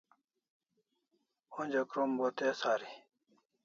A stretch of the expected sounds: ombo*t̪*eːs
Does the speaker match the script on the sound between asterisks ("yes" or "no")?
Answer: yes